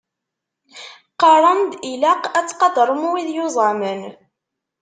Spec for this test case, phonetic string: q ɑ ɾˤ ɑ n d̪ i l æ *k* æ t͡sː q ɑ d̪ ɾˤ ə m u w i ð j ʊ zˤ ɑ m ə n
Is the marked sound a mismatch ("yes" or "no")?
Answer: yes